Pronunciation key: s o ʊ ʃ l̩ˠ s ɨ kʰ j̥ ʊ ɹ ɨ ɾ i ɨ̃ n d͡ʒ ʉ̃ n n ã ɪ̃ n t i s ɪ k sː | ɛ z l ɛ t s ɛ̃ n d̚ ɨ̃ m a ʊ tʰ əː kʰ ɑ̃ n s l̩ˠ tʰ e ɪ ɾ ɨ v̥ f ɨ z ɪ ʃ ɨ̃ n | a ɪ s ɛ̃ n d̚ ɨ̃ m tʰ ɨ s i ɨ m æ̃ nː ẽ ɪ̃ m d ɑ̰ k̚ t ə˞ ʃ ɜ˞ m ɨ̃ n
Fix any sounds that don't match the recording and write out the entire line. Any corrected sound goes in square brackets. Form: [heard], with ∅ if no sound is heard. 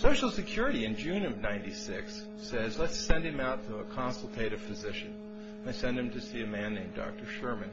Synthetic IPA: s o ʊ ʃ l̩ˠ s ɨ kʰ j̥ ʊ ɹ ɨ ɾ i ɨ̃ n d͡ʒ ʉ̃ n n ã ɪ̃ n t i s ɪ k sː | ɛ z l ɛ t s ɛ̃ n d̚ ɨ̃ m a ʊ tʰ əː kʰ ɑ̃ n s l̩ˠ tʰ e ɪ ɾ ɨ v̥ f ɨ z ɪ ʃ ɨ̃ n | a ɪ s ɛ̃ n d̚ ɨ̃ m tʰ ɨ s i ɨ m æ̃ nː ẽ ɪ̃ m d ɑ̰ k̚ t ə˞ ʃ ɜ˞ m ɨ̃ n